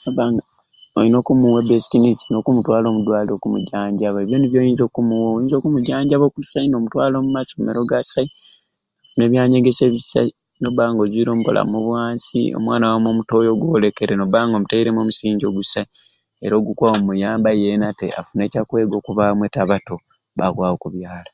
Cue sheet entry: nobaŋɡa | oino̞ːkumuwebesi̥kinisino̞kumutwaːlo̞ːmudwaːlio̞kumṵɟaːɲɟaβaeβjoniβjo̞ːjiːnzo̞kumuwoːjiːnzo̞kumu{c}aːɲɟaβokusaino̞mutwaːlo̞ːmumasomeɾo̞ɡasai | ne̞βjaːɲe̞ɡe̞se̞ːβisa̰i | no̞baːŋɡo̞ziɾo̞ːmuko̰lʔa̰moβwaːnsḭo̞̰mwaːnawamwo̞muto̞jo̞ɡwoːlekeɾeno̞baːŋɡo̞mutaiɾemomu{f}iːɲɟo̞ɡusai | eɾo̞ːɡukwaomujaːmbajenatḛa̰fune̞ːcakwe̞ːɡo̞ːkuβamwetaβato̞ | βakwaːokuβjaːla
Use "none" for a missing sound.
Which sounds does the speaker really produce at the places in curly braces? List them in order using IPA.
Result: ɟ, s

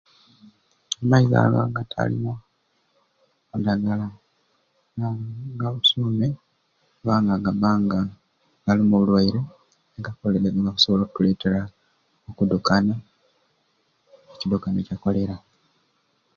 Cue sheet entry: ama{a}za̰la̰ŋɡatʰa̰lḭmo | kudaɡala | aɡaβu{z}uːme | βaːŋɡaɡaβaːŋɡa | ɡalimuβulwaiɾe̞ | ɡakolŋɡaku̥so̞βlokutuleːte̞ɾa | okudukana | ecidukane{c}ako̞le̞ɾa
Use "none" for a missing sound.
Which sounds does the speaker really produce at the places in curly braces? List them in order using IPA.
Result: i, s, c

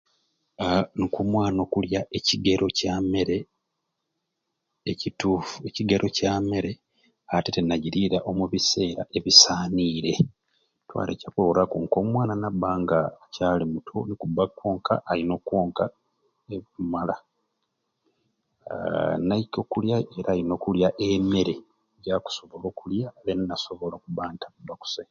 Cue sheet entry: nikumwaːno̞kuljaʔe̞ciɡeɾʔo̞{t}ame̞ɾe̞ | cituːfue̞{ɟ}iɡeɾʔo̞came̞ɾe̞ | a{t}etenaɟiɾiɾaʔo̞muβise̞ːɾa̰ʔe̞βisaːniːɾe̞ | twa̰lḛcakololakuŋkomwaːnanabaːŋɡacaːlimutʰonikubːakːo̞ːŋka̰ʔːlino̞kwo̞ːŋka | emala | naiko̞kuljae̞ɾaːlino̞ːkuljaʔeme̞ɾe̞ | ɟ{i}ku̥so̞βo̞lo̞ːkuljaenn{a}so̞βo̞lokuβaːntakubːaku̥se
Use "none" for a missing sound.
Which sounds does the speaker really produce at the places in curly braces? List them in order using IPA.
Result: c, c, t, a, a

